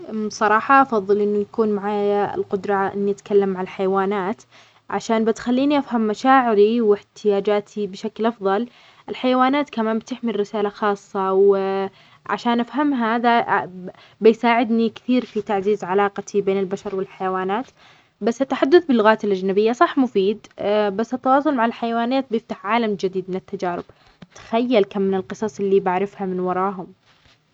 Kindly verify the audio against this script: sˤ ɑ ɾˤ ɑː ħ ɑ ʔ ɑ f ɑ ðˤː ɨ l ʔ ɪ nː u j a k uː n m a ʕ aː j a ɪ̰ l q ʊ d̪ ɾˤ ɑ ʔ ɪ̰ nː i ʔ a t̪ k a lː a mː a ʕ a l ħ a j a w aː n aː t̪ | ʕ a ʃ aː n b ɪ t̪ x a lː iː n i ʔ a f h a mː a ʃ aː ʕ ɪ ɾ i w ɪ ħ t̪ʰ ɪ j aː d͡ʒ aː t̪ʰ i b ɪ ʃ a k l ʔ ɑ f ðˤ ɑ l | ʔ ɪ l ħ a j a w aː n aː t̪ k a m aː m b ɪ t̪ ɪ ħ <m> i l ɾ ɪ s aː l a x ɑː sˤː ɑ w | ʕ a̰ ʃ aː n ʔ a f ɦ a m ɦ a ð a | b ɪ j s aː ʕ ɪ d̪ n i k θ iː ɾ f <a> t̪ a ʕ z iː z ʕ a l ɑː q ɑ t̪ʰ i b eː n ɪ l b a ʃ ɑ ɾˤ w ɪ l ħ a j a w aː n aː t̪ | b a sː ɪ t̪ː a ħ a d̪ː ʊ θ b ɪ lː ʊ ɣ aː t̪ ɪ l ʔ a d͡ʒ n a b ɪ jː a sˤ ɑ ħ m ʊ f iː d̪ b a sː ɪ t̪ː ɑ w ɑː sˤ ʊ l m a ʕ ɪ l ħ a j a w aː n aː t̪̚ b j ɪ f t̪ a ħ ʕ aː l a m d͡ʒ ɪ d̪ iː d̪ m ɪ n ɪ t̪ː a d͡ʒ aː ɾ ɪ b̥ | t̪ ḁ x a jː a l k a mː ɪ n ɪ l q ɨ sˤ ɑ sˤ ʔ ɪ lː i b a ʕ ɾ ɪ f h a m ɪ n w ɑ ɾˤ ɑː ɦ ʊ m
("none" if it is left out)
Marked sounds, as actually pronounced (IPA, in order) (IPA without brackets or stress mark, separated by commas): m, i